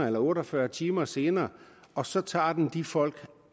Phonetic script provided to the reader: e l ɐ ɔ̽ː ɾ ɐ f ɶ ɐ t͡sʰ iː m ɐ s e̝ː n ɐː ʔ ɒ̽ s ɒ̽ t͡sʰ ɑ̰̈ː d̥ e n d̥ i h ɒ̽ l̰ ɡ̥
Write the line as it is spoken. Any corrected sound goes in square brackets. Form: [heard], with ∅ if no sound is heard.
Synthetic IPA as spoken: e l ɐ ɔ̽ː ɾ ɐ f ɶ ɐ t͡sʰ iː m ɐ s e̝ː n ɐː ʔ ɒ̽ s ɒ̽ t͡sʰ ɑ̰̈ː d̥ e n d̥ i [f] ɒ̽ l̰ ɡ̥